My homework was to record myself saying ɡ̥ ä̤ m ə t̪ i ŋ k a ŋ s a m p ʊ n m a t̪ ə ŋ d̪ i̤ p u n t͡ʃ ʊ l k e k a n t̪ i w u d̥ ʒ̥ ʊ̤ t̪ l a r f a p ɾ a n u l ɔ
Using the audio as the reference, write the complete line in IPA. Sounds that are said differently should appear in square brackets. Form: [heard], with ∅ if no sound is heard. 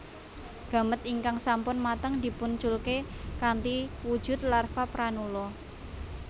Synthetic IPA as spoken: ɡ̥ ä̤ m ə t̪ i ŋ k a ŋ s a m p ʊ n m a t̪ ə ŋ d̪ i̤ p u n t͡ʃ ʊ l k e k a n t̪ i w u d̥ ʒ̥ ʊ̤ t̪ l a r f a p ɾ a n u l ɔ